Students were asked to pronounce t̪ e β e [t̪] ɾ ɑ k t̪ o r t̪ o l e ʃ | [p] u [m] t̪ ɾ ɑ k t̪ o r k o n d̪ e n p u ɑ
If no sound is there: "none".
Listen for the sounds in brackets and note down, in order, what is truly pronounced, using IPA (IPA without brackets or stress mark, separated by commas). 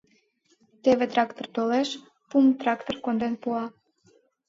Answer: t̪, p, m